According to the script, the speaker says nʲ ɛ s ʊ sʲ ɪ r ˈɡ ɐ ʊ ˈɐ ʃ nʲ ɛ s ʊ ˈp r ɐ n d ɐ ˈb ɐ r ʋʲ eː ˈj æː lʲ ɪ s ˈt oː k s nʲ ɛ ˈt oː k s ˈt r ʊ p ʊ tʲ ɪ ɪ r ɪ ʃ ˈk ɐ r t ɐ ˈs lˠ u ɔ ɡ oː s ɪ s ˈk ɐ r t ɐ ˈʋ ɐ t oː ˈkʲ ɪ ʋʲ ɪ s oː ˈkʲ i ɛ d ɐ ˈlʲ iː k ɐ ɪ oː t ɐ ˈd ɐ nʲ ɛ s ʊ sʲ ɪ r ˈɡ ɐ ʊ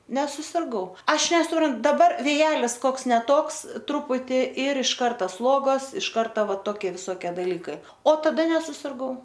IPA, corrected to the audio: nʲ ɛ s ʊ sʲ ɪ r ˈɡ ɐ ʊ ˈɐ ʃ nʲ ɛ s ʊ ˈp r ɐ n d ɐ ˈb ɐ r ʋʲ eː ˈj æː lʲ ɪ s ˈk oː k s nʲ ɛ ˈt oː k s ˈt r ʊ p ʊ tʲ ɪ ɪ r ɪ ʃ ˈk ɐ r t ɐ ˈs lˠ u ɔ ɡ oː s ɪ ʃ ˈk ɐ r t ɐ ˈʋ ɐ t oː ˈkʲ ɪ ʋʲ ɪ s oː ˈkʲ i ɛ d ɐ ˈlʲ iː k ɐ ɪ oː t ɐ ˈd ɐ nʲ ɛ s ʊ sʲ ɪ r ˈɡ ɐ ʊ